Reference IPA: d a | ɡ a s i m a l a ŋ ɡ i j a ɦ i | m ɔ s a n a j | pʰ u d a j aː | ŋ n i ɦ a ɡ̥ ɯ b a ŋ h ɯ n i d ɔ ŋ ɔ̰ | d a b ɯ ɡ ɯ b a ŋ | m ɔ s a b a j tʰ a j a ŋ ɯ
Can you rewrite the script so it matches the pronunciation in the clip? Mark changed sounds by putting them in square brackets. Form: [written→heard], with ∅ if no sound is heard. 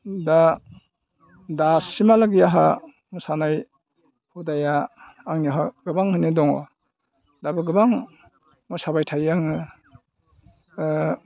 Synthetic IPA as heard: d a | [ɡ→d] a s i m a l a [ŋ→∅] ɡ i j a ɦ [i→a] | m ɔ s a n a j | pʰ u d a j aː | ŋ n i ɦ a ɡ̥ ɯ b a ŋ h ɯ n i d ɔ ŋ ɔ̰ | d a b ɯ ɡ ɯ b a ŋ | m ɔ s a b a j tʰ a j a ŋ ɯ